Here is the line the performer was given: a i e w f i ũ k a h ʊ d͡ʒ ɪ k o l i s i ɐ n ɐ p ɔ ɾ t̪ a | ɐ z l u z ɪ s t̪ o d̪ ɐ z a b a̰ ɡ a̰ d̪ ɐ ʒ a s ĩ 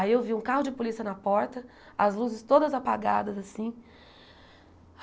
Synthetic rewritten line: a i e w v i ũ k a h ʊ d͡ʒ ɪ p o l i s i ɐ n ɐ p ɔ ɾ t̪ ɐ | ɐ z l u z ɪ s t̪ o d̪ ɐ z a p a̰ ɡ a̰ d̪ ɐ z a s ĩ